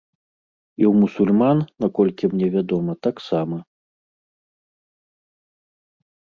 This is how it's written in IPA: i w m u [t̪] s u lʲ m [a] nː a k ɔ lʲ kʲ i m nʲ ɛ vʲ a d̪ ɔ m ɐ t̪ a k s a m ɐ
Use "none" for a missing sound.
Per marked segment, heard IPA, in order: none, a

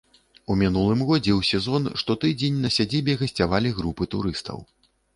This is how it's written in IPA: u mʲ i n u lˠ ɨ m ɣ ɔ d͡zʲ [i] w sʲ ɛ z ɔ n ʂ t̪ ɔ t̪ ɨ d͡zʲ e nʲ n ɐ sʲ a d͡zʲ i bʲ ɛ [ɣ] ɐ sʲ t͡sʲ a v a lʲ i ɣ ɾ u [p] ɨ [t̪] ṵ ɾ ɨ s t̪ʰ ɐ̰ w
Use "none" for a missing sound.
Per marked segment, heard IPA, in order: ɛ, ɣ, p, t̪

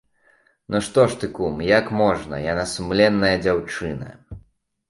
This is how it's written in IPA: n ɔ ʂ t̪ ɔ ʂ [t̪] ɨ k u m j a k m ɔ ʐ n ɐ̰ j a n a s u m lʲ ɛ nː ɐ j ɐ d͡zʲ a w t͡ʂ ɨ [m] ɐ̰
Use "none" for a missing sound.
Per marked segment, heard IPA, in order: t̪, n

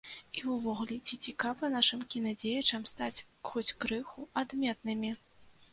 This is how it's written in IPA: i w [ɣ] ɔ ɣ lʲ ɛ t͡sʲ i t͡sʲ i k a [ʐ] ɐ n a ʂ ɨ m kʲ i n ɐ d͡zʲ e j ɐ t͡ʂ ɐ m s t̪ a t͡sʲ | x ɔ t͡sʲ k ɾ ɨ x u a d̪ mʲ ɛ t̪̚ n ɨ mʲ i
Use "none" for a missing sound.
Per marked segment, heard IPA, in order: v, v

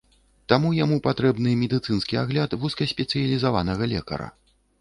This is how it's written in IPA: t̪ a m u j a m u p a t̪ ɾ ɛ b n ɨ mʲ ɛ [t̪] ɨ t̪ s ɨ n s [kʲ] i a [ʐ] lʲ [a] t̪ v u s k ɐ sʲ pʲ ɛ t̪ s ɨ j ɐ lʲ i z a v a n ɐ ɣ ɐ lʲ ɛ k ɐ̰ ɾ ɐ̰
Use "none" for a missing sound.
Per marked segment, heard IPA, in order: d̪, kʲ, ɣ, a

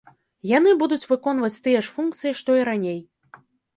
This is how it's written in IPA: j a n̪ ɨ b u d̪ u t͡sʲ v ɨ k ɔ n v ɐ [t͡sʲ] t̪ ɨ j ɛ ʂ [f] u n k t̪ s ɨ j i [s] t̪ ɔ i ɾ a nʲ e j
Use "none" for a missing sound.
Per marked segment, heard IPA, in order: t͡sʲ, f, ʂ

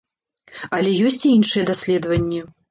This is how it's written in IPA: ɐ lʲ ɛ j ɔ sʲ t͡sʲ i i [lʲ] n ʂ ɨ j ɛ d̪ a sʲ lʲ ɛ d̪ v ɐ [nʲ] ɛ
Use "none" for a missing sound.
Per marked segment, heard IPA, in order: none, nʲː

